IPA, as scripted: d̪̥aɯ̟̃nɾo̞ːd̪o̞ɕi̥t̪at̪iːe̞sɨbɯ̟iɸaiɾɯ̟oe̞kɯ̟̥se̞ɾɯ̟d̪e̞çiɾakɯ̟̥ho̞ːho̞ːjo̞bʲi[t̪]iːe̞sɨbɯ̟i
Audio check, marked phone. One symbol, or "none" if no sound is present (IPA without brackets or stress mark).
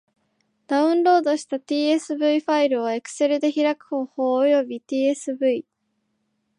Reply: t̪